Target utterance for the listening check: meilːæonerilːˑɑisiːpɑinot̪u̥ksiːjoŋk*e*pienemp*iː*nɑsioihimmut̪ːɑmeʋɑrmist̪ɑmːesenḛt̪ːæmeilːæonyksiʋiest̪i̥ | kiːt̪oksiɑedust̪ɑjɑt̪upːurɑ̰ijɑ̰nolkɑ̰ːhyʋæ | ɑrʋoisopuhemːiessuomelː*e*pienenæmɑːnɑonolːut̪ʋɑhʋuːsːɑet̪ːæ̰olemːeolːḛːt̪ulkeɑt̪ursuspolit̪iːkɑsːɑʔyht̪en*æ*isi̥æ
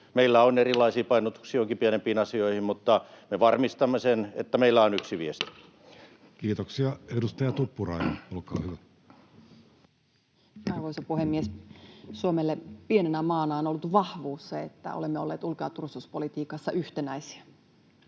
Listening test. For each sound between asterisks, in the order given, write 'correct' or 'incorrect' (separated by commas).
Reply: incorrect, correct, correct, correct